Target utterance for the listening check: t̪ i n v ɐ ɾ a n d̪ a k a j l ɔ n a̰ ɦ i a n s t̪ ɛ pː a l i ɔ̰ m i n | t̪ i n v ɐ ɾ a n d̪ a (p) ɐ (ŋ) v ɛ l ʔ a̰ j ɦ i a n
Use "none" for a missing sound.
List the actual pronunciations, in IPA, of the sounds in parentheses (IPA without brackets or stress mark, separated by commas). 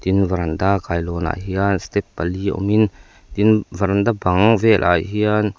b, ŋ